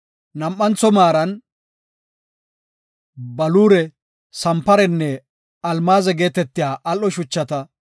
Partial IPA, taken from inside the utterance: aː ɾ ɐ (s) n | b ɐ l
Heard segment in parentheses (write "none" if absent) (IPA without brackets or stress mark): none